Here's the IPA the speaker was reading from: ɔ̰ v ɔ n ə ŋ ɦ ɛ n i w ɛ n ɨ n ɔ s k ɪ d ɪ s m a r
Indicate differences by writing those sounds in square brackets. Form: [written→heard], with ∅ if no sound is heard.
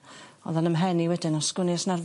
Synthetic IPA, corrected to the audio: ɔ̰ [v→ð] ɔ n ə [ŋ→m] ɦ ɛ n i w ɛ [n→d] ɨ n ɔ s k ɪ [d→n] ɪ s [m→n] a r